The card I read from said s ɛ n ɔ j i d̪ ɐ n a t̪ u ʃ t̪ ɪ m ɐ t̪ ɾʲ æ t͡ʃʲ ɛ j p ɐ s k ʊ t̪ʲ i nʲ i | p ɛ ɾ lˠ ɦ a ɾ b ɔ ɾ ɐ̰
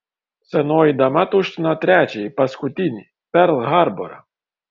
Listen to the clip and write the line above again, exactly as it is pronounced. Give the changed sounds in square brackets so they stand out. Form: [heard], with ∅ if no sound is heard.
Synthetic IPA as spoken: s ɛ n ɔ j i d̪ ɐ [m] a t̪ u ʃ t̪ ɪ [n] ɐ t̪ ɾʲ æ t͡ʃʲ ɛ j p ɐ s k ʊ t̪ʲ i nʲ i | p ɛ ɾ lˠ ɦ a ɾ b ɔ ɾ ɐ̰